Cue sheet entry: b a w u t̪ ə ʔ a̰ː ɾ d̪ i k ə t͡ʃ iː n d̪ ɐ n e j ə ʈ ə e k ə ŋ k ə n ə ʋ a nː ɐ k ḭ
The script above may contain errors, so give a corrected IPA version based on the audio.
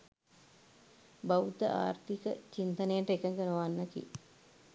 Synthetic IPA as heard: b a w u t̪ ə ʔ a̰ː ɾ t̪ i k ə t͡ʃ i n t̪ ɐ n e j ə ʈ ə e k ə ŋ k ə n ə ʋ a nː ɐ k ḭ